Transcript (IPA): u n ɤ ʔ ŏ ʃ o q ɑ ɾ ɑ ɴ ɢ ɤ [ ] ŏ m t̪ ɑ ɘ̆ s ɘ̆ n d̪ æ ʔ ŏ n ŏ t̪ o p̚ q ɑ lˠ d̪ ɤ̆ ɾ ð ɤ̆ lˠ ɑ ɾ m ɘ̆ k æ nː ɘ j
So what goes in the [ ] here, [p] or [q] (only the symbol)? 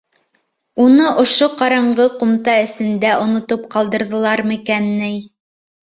q